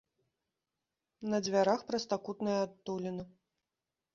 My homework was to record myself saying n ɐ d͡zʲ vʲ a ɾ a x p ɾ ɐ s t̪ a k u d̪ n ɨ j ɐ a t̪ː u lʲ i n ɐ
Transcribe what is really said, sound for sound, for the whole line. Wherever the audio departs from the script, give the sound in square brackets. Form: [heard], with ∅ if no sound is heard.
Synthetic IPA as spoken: n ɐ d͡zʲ vʲ a ɾ a x p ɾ ɐ s t̪ a k u [t̪] n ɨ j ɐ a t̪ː u lʲ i n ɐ